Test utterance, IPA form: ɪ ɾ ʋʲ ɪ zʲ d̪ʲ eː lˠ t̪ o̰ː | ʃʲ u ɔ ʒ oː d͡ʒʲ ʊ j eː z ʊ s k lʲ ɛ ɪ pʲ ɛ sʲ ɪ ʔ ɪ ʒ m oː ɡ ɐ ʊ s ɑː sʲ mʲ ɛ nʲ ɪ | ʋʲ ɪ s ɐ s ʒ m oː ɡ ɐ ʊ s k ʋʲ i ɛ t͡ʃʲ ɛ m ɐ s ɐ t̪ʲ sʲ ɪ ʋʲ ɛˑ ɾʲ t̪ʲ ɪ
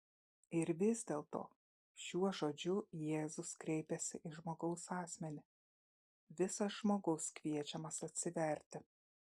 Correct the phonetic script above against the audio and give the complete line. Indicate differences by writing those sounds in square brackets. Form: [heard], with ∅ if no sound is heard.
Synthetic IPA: ɪ ɾ ʋʲ ɪ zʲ d̪ʲ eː lˠ t̪ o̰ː | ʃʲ u ɔ ʒ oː d͡ʒʲ ʊ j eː z ʊ s k [ɾʲ] ɛ ɪ pʲ ɛ sʲ ɪ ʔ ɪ ʒ m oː ɡ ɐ ʊ s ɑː sʲ mʲ ɛ nʲ ɪ | ʋʲ ɪ s ɐ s ʒ m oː ɡ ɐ ʊ s k ʋʲ i ɛ t͡ʃʲ ɛ m ɐ s ɐ t̪ʲ sʲ ɪ ʋʲ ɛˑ ɾʲ t̪ʲ ɪ

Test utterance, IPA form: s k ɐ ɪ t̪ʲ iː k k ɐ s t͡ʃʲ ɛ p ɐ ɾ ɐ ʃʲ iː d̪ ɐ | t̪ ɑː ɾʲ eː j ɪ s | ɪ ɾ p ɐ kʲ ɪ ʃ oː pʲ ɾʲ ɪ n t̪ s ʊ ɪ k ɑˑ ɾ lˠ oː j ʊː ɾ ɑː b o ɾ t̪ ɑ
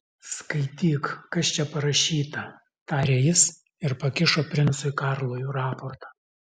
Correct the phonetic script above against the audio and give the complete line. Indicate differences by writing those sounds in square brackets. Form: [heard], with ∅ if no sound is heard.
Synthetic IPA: s k ɐ ɪ t̪ʲ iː k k ɐ s t͡ʃʲ ɛ p ɐ ɾ ɐ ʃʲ iː [t̪] ɐ | t̪ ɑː ɾʲ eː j ɪ s | ɪ ɾ p ɐ kʲ ɪ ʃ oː pʲ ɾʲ ɪ n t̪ s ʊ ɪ k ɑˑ ɾ lˠ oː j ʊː ɾ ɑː [p] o ɾ t̪ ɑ

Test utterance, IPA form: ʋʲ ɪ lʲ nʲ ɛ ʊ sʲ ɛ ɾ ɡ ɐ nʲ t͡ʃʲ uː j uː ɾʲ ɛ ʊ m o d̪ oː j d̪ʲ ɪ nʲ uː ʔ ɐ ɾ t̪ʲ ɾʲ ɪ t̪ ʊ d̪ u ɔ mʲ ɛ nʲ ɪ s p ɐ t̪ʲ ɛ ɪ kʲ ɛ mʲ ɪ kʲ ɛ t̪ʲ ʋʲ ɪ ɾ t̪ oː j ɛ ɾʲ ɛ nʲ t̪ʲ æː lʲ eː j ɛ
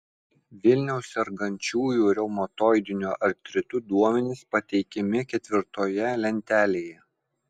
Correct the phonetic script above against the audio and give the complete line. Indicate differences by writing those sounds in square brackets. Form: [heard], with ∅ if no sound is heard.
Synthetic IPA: ʋʲ ɪ lʲ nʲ ɛ ʊ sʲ ɛ ɾ ɡ ɐ nʲ t͡ʃʲ uː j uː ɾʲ ɛ ʊ m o [t̪] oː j d̪ʲ ɪ nʲ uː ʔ ɐ ɾ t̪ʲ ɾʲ ɪ t̪ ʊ d̪ u ɔ mʲ ɛ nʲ ɪ s p ɐ t̪ʲ ɛ ɪ kʲ ɛ mʲ ɪ kʲ ɛ t̪ʲ ʋʲ ɪ ɾ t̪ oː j ɛ [lʲ] ɛ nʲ t̪ʲ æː lʲ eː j ɛ

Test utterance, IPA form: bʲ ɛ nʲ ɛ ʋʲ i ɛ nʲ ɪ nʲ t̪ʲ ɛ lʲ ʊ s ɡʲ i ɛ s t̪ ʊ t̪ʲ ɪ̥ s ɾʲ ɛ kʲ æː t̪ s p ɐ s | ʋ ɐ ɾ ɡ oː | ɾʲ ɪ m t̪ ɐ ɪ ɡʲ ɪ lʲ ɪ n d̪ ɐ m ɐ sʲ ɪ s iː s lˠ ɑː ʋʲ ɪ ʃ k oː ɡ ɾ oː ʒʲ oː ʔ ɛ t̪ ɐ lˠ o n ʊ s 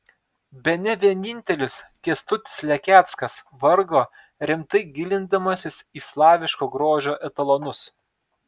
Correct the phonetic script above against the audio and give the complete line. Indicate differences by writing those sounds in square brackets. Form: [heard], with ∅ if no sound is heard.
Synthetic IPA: bʲ ɛ nʲ ɛ ʋʲ i ɛ nʲ ɪ nʲ t̪ʲ ɛ lʲ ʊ s [kʲ] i ɛ s t̪ ʊ t̪ʲ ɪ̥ s [lʲ] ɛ kʲ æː t̪ s [k] ɐ s | ʋ ɐ ɾ ɡ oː | ɾʲ ɪ m t̪ ɐ ɪ ɡʲ ɪ lʲ ɪ n d̪ ɐ m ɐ sʲ ɪ s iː s lˠ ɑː ʋʲ ɪ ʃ k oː ɡ ɾ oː ʒʲ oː ʔ ɛ t̪ ɐ lˠ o n ʊ s

